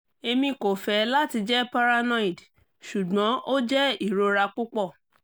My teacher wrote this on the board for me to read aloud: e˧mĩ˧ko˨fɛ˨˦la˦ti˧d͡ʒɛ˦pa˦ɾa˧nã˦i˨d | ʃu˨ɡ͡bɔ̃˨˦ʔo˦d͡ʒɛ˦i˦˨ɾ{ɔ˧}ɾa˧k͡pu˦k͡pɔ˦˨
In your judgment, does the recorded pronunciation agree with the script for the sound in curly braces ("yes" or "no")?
no